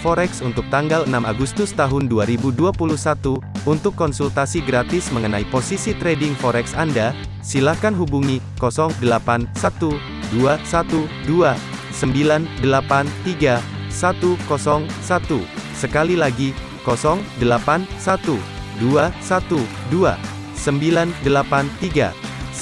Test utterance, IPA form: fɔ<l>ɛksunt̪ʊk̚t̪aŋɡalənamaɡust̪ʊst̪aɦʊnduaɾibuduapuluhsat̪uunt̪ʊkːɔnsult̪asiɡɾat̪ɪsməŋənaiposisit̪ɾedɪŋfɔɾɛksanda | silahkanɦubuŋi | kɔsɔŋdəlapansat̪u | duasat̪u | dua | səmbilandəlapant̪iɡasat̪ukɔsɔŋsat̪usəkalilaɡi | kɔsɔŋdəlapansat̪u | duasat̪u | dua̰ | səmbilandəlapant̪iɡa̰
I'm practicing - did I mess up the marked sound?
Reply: yes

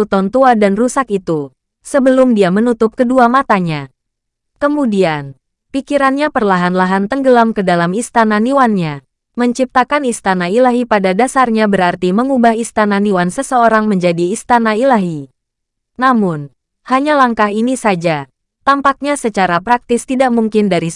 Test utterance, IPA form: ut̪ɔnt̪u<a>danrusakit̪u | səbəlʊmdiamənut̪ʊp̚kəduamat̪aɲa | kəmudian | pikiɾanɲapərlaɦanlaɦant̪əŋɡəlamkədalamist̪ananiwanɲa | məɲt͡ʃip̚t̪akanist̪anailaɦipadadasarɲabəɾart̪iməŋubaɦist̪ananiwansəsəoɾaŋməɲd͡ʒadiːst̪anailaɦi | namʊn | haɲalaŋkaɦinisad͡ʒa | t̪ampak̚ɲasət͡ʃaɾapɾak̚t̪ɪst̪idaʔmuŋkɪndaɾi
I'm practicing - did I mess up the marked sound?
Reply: no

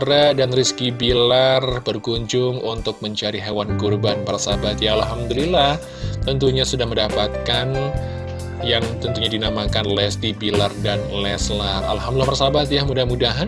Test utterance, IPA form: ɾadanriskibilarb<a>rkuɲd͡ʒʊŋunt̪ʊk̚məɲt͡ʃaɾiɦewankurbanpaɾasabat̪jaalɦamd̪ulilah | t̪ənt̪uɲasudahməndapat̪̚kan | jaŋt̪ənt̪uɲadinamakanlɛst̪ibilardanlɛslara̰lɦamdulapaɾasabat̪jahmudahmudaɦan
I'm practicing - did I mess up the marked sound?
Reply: yes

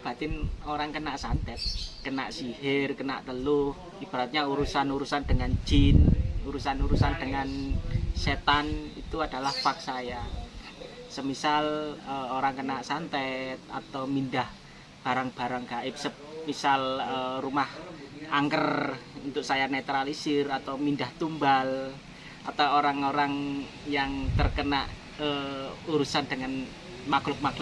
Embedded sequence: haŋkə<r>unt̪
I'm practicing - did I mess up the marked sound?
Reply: no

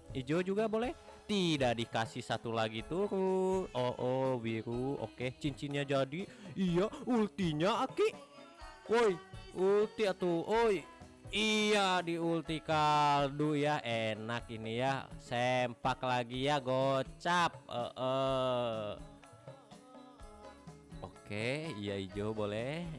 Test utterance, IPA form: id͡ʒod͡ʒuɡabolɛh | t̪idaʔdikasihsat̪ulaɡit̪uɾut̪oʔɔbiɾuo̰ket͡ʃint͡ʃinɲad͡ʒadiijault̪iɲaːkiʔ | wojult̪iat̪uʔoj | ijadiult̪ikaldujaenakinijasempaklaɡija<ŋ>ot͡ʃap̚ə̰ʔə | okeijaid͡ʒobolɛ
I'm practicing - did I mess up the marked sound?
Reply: yes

